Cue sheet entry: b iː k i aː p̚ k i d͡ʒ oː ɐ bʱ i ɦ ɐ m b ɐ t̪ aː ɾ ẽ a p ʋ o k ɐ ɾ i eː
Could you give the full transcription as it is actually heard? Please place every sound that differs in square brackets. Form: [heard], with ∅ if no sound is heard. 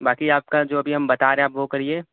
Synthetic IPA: b [aː] k i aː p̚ k [a] d͡ʒ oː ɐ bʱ i ɦ ɐ m b ɐ t̪ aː ɾ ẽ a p ʋ o k ɐ ɾ i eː